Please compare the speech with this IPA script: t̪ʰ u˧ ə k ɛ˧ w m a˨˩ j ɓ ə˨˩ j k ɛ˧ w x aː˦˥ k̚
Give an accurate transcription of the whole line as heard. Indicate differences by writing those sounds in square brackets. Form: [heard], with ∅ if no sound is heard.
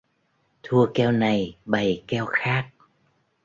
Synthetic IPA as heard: t̪ʰ u˧ ə k ɛ˧ w [n] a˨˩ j ɓ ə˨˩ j k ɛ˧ w x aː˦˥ k̚